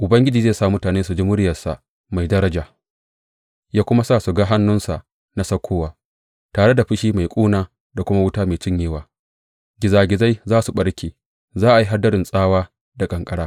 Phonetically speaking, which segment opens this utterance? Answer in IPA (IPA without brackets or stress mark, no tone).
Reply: ʔ